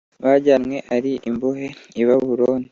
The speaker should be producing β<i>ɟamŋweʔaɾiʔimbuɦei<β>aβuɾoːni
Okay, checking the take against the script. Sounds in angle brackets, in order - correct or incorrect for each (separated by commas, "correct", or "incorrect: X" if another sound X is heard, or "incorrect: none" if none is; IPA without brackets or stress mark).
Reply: incorrect: a, correct